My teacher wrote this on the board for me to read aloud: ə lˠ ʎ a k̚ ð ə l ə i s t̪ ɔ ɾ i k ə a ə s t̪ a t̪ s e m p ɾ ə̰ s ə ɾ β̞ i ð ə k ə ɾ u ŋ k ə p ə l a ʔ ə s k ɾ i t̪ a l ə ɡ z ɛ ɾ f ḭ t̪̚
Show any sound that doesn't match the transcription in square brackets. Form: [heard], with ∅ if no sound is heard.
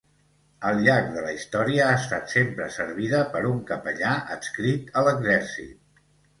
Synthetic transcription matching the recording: ə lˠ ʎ a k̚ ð ə l ə i s t̪ ɔ ɾ i [∅] ə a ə s t̪ a t̪ s e m p ɾ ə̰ s ə ɾ β̞ i ð ə [p] ə ɾ u ŋ k ə p ə [ʎ] a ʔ ə s k ɾ i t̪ [ə] l ə ɡ z ɛ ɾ [s] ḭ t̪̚